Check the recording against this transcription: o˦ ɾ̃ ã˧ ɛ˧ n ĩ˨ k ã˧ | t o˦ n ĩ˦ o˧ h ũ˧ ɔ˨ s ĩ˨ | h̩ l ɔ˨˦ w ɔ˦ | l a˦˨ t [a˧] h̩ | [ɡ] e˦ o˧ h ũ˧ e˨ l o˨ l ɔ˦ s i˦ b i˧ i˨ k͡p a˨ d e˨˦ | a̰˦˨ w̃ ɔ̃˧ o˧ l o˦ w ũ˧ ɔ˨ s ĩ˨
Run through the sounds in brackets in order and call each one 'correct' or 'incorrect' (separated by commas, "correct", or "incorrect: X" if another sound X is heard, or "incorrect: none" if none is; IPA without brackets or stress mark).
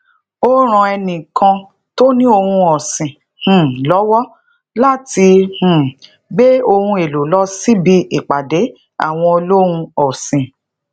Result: incorrect: i˧, incorrect: ɡ͡b